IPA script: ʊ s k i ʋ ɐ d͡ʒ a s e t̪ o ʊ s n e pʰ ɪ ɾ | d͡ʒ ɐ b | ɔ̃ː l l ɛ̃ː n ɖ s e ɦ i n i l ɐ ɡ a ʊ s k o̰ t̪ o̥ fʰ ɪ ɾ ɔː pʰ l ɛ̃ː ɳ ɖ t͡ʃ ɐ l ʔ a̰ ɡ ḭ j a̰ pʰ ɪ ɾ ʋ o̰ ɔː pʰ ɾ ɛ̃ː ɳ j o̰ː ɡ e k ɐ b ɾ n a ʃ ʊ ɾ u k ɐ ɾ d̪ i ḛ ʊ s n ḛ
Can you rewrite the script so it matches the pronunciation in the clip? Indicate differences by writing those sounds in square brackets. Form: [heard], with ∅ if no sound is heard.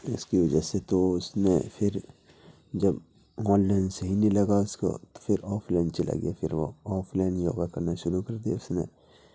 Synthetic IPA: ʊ s k i ʋ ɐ d͡ʒ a s e t̪ o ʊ s n e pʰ ɪ ɾ | d͡ʒ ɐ b | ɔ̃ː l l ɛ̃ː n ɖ s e ɦ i n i l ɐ ɡ a ʊ s k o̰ t̪ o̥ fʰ ɪ ɾ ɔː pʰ l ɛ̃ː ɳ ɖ t͡ʃ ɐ l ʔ a̰ ɡ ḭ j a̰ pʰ ɪ ɾ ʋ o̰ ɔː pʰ [l] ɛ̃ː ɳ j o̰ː ɡ [a] k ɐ [∅] ɾ n a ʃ ʊ ɾ u k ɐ ɾ d̪ i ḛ ʊ s n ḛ